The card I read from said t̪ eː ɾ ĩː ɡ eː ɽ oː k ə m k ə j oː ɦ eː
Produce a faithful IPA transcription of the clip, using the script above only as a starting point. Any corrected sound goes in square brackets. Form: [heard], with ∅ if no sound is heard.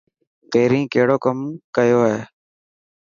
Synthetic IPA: t̪ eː ɾ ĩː [k] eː ɽ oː k ə m k ə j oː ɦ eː